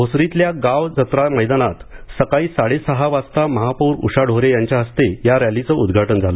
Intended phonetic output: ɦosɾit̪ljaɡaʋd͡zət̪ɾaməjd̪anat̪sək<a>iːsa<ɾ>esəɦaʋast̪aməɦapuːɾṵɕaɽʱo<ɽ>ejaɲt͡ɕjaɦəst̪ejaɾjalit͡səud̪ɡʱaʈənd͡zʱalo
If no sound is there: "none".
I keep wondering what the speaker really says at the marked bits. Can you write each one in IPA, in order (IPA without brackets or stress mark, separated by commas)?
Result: a, ɽ, ɾ